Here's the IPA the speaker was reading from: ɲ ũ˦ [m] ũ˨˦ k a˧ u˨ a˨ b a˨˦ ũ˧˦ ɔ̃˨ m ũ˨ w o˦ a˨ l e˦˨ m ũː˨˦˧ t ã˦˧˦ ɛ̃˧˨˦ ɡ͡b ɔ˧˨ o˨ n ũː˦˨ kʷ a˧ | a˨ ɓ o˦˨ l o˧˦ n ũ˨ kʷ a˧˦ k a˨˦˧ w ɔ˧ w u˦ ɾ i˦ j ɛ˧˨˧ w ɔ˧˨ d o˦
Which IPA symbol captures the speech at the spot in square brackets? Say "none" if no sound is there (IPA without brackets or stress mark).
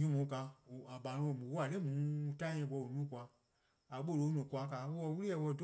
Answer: m